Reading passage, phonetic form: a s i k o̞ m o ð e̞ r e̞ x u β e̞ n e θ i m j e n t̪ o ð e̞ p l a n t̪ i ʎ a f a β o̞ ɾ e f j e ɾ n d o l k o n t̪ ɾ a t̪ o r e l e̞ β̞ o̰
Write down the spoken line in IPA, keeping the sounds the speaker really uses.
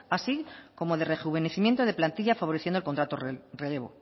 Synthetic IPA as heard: a s i k o̞ m o ð e̞ r e̞ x u β e̞ n e θ i m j e n t̪ o ð e̞ p l a n t̪ i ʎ a f a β o̞ ɾ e θ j e n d o l k o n t̪ ɾ a t̪ o r e l e̞ β̞ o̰

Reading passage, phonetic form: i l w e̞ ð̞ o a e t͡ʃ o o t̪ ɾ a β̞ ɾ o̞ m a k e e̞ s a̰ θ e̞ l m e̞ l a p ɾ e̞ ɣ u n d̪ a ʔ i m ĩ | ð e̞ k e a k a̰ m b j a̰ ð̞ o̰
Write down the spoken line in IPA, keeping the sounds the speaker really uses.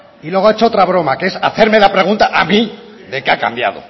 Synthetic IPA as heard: i l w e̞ ɣ̞ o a e t͡ʃ o o t̪ ɾ a β̞ ɾ o̞ m a k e e̞ s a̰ θ e̞ ɾ m e̞ l a p ɾ e̞ ɣ u n t̪ a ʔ a m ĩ | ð e̞ k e a k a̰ m b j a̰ ð̞ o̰

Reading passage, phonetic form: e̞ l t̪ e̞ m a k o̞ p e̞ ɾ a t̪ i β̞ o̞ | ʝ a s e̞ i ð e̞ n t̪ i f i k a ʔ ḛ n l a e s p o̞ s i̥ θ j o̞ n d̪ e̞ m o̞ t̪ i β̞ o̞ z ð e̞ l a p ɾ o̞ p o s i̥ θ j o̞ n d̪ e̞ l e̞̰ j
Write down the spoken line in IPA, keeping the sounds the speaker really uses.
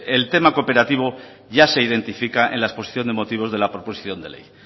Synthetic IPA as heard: e̞ l t̪ e̞ m a k o̞ p e̞ ɾ a t̪ i β̞ o̞ | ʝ a s e̞ i ð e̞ n t̪ i f i k a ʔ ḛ n l a e s p o̞ s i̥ θ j o̞ n d̪ e̞ m o̞ t̪ i β̞ o̞ z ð e̞ l a p ɾ o̞ p o s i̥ θ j o̞ n d̪ e̞ l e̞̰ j

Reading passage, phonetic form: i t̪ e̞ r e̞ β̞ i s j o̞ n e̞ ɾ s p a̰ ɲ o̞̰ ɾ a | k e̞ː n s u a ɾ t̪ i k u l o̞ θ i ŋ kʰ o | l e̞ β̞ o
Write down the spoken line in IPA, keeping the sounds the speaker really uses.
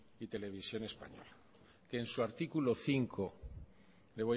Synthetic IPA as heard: i t̪ e̞ l e̞ β̞ i s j o̞ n e̞ s p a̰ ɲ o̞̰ l a | k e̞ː n s u a ɾ t̪ i k u l o̞ θ i ŋ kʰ o | l e̞ β̞ o

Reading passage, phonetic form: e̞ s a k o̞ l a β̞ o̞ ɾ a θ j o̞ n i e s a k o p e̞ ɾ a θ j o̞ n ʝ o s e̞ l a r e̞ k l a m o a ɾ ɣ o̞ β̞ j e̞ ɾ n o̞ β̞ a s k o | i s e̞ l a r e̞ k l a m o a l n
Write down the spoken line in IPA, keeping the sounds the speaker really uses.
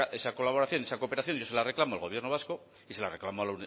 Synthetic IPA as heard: e̞ s a k o̞ l a β̞ o̞ ɾ a θ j o̞ n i e s a k o p e̞ ɾ a θ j o̞ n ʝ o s e̞ l a r e̞ k l a m o a l ɣ o̞ β̞ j e̞ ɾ n o̞ β̞ a s k o | i s e̞ l a r e̞ k l a m o a l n

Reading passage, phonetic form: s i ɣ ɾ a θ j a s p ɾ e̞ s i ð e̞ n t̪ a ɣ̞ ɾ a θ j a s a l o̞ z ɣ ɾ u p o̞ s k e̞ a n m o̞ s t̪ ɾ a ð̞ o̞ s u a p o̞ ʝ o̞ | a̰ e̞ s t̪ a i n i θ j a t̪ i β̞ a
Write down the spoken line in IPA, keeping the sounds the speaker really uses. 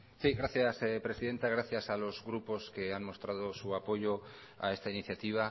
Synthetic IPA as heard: s i ɣ ɾ a θ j a s p ɾ e̞ s i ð e̞ n t̪ a ɣ̞ ɾ a θ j a s a l o̞ z ɣ ɾ u p o̞ s k e̞ a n m o̞ s t̪ ɾ a ð̞ o̞ s u a p o̞ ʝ o̞ | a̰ e̞ s t̪ a i n i θ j a t̪ i β̞ a

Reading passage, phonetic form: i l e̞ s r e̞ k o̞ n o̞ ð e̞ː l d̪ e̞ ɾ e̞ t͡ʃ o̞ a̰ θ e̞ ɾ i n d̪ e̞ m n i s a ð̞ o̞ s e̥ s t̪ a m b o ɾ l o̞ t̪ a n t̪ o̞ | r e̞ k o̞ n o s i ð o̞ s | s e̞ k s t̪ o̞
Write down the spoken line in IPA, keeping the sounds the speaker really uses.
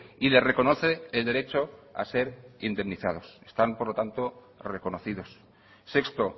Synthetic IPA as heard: i l e̞ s r e̞ k o̞ n o̞ θ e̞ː l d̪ e̞ ɾ e̞ t͡ʃ o̞ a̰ s e̞ ɾ i n d̪ e̞ m n i θ a ð̞ o̞ s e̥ s t̪ a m p o ɾ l o̞ t̪ a n t̪ o̞ | r e̞ k o̞ n o θ i ð o̞ s | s e̞ k s t̪ o̞

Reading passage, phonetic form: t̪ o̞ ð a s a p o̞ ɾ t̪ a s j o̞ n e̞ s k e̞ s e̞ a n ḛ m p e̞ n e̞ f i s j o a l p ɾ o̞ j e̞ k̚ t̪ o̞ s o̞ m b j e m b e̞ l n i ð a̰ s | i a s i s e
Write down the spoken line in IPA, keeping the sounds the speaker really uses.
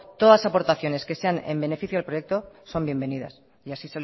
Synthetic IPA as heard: t̪ o̞ ð a s a p o̞ ɾ t̪ a θ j o̞ n e̞ s k e̞ s e̞ a n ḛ m b e̞ n e̞ f i θ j o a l p ɾ o̞ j e̞ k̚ t̪ o̞ s o̞ m b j e m b e̞ n i ð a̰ s | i a s i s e

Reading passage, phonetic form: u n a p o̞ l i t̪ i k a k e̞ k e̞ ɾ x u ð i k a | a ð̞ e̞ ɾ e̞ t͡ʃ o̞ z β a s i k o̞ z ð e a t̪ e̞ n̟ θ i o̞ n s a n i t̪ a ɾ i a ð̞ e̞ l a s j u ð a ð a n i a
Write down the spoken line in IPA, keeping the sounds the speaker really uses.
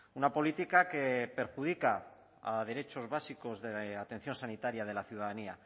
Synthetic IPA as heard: u n a p o̞ l i t̪ i k a k e̞ p e̞ ɾ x u ð i k a | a ð̞ e̞ ɾ e̞ t͡ʃ o̞ z β a s i k o̞ z ð e a t̪ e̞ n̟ θ j o̞ n s a n i t̪ a ɾ j a ð̞ e̞ l a θ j u ð a ð a n i a

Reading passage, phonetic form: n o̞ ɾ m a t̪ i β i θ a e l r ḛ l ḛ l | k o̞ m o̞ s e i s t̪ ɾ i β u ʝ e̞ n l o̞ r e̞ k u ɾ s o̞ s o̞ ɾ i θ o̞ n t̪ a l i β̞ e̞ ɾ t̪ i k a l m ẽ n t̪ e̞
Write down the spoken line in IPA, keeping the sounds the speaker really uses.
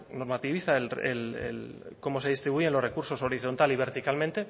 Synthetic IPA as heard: n o̞ ɾ m a t̪ i β i θ a e l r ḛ l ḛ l | k o̞ m o̞ s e i s t̪ ɾ i β u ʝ e̞ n l o̞ r e̞ k u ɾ s o̞ s o̞ ɾ i θ o̞ n t̪ a l i β̞ e̞ ɾ t̪ i k a l m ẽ n t̪ e̞

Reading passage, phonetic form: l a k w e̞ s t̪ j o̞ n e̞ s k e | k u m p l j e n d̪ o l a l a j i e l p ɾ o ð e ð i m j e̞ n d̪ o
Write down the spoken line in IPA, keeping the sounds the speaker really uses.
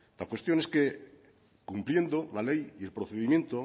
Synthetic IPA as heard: l a k w e̞ s t̪ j o̞ n e̞ s k e | k u m p l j e n d̪ o l a l e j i e l p ɾ o θ e ð i m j e̞ n t̪ o

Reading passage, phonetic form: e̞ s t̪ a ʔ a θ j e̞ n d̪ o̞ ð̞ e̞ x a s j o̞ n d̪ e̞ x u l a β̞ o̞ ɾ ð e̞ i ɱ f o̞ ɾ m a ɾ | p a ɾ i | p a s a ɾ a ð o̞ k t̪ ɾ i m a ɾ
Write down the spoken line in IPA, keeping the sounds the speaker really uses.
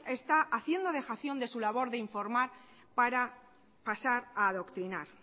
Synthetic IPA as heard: e̞ s t̪ a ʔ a θ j e̞ n d̪ o̞ ð̞ e̞ x a θ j o̞ n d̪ e̞ s u l a β̞ o̞ ɾ ð e̞ i ɱ f o̞ ɾ m a ɾ | p a ɾ a | p a s a ɾ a ð o̞ k t̪ ɾ i n a ɾ

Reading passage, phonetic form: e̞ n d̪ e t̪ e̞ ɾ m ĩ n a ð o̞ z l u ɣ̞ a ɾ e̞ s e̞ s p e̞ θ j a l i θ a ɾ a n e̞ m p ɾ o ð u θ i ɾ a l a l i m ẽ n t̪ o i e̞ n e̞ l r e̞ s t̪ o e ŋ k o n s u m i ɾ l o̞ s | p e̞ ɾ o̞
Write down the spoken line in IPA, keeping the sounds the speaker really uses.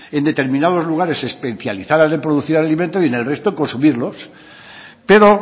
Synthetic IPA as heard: e̞ n d̪ e t̪ e̞ ɾ m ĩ n a ð o̞ z l u ɣ̞ a ɾ e̞ s e̞ s p e̞ θ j a l i θ a ɾ a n e̞ m p ɾ o ð u θ i ɾ a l a l i m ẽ n t̪ o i e̞ n e̞ l r e̞ s t̪ o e ŋ k o n s u m i ɾ l o̞ s | p e̞ ɾ o̞

